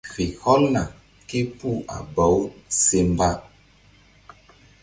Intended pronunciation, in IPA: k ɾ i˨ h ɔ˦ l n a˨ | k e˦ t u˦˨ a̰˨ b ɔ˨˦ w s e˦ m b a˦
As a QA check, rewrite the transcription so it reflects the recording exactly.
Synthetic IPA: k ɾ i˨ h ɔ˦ l n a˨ | k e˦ p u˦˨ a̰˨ b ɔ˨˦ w s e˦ m b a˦